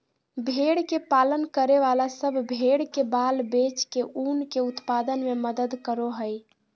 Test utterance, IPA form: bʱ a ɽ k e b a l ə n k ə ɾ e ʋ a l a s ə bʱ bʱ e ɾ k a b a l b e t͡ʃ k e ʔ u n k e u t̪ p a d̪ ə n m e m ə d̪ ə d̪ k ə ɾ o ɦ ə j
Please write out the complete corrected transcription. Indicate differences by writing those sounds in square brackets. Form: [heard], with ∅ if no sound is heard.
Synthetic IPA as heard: bʱ [e] ɽ k e [p] a l ə n k ə ɾ e ʋ a l a s ə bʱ bʱ e [ɽ] k [e] b a l b e t͡ʃ k e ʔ u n k e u t̪ p a d̪ ə n m e m ə d̪ ə d̪ k ə ɾ o ɦ ə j